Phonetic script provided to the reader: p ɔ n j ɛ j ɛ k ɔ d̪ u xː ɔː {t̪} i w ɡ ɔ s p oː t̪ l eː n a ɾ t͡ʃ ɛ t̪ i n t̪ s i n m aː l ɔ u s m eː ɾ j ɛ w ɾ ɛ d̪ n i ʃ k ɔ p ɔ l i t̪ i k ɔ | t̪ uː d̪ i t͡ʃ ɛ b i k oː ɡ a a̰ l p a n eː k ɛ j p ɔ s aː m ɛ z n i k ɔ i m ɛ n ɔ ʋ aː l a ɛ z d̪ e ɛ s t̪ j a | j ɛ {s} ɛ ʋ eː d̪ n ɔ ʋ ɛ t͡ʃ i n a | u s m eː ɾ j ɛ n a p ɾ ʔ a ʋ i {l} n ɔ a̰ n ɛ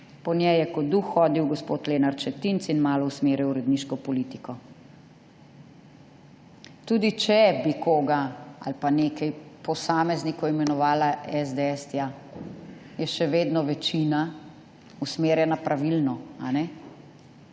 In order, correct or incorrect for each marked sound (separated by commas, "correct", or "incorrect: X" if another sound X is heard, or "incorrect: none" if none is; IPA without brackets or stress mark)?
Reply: incorrect: d̪, incorrect: ʃ, correct